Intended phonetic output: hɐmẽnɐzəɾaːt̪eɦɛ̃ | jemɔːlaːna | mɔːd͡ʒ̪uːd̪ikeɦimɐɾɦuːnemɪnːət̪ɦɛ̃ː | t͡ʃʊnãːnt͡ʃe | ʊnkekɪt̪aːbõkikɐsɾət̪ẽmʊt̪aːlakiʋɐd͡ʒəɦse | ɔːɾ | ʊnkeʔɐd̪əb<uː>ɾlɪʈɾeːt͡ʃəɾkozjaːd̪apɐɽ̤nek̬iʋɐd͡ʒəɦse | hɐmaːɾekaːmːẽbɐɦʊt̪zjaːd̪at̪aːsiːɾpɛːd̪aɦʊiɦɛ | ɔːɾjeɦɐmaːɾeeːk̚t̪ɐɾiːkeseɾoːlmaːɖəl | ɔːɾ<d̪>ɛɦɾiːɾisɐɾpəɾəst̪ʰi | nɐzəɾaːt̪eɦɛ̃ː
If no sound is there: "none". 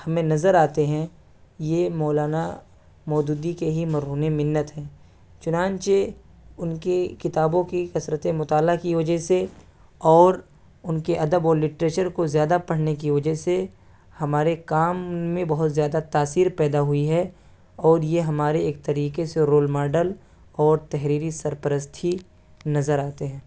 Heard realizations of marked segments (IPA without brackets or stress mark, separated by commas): ɔː, t̪